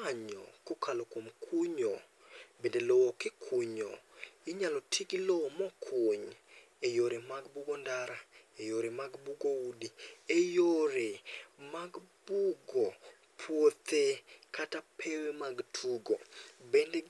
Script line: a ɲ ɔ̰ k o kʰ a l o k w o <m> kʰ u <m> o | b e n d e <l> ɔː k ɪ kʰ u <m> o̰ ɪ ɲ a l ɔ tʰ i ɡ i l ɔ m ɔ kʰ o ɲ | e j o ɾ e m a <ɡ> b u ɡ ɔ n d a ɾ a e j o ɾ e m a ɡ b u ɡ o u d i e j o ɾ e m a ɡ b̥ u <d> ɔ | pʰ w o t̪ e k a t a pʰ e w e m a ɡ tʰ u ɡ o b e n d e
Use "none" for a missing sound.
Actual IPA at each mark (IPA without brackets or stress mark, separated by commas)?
m, ɲ, l, ɲ, ɡ, ɡ